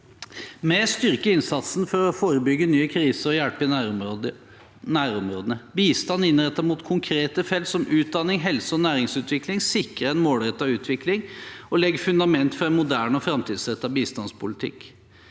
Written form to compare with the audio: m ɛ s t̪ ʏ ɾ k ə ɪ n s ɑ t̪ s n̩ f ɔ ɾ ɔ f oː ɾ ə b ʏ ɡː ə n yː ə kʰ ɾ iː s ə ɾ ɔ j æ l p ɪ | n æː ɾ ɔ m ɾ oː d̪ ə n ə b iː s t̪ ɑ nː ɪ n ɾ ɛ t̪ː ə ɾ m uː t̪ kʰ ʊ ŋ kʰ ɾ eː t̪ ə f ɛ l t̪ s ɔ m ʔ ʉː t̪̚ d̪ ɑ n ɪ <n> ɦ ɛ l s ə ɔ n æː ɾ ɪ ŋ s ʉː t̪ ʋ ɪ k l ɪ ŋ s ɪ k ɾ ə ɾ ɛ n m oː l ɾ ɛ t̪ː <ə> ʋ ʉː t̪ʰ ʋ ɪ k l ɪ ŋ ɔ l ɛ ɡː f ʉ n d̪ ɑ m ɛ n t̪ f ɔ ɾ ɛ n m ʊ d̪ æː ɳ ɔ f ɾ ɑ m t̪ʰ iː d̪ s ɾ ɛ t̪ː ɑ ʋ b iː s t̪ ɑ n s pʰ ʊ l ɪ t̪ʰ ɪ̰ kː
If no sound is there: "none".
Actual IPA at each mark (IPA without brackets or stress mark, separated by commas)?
ŋ, ɑ